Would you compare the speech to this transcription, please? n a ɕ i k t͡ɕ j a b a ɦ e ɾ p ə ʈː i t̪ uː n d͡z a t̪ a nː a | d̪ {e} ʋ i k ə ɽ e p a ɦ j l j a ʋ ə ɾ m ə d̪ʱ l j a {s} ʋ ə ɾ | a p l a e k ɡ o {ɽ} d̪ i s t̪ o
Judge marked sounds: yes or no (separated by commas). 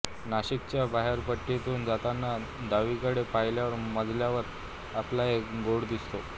no, no, yes